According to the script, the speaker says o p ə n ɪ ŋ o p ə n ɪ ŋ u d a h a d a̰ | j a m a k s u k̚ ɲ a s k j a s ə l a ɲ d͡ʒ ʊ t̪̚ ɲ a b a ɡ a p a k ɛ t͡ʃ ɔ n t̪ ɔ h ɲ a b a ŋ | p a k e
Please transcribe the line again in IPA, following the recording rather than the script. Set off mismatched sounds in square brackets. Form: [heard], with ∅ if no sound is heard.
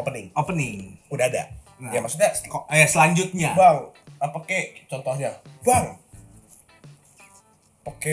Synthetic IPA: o p ə n ɪ ŋ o p ə n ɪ ŋ u d a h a d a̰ | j a m a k s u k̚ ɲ a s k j a s ə l a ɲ d͡ʒ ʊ t̪̚ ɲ a b a [ŋ] a p a k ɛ t͡ʃ ɔ n t̪ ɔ h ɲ a b a ŋ | p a k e